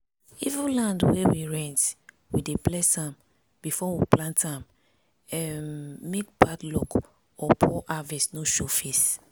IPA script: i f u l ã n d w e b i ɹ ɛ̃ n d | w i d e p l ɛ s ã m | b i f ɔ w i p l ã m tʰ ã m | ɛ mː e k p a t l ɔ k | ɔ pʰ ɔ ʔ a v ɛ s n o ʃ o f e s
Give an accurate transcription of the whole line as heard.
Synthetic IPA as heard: i v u l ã n d w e w i ɹ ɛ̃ n t | w i d e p l ɛ s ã m | b i f ɔ w i p l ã n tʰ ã m | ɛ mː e k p a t l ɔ k | ɔ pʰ ɔ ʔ a v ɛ s n o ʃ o f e s

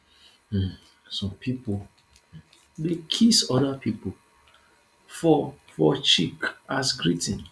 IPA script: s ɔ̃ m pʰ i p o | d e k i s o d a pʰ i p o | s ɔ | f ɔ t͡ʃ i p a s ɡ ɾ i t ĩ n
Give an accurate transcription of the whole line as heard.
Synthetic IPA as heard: s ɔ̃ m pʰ i p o | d e kʰ i s ɔ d a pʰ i p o | f ɔ | f ɔ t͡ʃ i k a s ɡ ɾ i t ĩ n

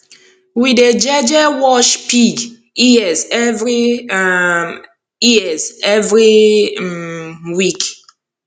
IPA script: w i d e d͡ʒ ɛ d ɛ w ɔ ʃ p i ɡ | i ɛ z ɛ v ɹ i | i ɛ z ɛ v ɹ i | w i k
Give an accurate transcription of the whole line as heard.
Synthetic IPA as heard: w i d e d͡ʒ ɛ d͡ʒ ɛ w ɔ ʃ p i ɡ | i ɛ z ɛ v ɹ i | i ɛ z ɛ v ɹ i | w i k

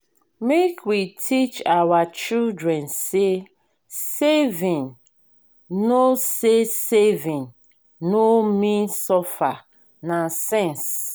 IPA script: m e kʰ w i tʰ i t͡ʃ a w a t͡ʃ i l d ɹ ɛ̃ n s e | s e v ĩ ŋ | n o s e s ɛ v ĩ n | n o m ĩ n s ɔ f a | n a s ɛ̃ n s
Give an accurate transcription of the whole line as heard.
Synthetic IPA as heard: m e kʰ w i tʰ i t͡ʃ a w a t͡ʃ i l d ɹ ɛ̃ n s e | s e v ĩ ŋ | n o s e s e v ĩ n | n o m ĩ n s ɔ f a | n a s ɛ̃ n s

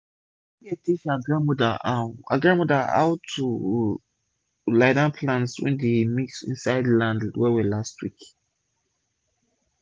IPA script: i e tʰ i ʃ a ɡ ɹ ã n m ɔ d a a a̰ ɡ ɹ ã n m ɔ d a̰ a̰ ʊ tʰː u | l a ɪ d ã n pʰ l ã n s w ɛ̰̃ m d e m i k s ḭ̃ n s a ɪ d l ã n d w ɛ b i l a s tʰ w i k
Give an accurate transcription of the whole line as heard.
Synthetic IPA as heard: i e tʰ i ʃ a ɡ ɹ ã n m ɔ d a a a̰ ɡ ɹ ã n m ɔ d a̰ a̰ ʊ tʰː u | l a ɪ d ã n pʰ l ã n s w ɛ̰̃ n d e m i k s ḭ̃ n s a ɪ d l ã n d w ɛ w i l a s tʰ w i k

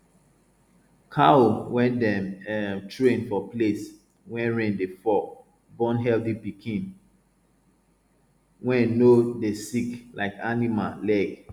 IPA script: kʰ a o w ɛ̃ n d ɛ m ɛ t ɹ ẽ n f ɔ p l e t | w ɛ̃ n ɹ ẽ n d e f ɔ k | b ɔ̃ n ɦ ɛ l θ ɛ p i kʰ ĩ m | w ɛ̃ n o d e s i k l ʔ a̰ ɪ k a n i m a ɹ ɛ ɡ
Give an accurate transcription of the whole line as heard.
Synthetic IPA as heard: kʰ a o w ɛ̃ n d ɛ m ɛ t ɹ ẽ n f ɔ p l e s | w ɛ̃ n ɹ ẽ n d e f ɔ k | b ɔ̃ n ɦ ɛ l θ i p i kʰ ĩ n | w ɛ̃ n o d e s i k l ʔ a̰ ɪ k a n i m a l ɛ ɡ

